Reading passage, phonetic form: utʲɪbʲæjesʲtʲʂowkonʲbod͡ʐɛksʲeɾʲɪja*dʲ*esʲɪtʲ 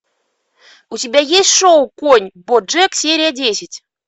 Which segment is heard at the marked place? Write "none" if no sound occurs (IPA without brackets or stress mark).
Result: dʲ